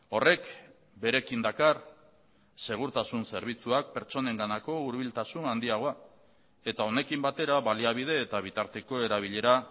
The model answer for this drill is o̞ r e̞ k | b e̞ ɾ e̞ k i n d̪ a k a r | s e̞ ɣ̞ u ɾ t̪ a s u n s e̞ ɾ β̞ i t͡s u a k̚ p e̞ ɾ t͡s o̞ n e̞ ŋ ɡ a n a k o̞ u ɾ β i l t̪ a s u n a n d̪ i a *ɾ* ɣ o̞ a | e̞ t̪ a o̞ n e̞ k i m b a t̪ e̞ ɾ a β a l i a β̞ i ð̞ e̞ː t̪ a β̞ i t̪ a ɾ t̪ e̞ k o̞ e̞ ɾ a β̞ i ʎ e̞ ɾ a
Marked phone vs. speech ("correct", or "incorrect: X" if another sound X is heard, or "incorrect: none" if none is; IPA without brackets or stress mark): incorrect: none